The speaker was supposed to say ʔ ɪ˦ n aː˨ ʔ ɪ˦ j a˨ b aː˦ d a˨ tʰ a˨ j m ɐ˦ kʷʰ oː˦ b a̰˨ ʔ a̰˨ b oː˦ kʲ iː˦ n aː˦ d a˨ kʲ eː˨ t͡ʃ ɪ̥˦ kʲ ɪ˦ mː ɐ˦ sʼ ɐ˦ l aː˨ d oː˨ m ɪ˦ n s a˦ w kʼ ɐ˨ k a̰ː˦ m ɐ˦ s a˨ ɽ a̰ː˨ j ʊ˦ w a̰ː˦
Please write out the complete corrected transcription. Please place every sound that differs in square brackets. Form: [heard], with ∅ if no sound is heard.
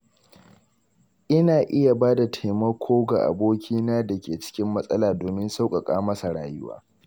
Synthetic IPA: ʔ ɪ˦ n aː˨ ʔ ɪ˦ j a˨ b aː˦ d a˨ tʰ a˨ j m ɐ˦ kʷʰ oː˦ [ɡ] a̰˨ ʔ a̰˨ b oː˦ kʲ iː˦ n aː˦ d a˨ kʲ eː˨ t͡ʃ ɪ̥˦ kʲ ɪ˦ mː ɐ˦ sʼ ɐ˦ l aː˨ d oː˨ m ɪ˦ n s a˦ w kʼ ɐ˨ [kʼ] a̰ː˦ m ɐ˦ s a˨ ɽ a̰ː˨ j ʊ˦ w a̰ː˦